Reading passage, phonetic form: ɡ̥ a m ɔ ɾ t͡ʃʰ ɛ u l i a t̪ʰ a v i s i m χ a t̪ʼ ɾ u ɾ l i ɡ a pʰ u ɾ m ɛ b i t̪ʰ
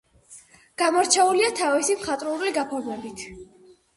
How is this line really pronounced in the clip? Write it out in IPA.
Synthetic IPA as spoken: ɡ̥ a m ɔ ɾ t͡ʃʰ ɛ u l i a t̪ʰ a v i s i m χ a t̪ʼ ɾ u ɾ l i ɡ a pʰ ɔ ɾ m ɛ b i t̪ʰ